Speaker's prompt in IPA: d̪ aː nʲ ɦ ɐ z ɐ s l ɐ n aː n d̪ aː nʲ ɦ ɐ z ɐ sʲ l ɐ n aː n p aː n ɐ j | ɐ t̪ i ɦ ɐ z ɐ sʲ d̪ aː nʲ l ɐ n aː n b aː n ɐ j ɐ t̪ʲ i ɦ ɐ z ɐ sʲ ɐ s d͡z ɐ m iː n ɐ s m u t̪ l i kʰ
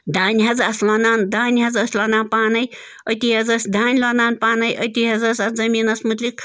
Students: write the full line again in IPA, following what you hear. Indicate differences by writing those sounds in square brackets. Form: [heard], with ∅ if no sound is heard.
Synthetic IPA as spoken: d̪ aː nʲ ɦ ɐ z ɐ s l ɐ n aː n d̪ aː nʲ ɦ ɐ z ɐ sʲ l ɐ n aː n p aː n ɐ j | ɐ t̪ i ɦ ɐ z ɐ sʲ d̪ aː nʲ l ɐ n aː n [p] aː n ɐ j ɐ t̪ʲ i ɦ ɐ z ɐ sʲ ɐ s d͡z ɐ m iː n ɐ s m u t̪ l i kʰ